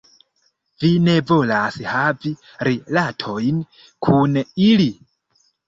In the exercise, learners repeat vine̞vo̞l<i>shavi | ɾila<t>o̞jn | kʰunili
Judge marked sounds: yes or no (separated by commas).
no, no